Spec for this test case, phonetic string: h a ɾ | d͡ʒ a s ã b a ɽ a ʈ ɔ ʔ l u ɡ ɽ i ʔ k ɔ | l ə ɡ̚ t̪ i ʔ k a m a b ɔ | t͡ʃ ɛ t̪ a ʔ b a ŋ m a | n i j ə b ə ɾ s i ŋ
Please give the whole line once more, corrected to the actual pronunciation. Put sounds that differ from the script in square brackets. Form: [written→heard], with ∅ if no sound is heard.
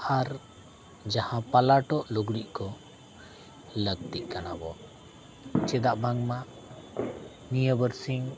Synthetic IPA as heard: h a ɾ | d͡ʒ a [s→h] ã [b→p] a [ɽ→l] a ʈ ɔ ʔ l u ɡ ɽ i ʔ k ɔ | l ə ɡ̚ t̪ i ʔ k a [m→n] a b ɔ | t͡ʃ ɛ [t̪→d̪] a ʔ b a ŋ m a | n i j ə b ə ɾ s i ŋ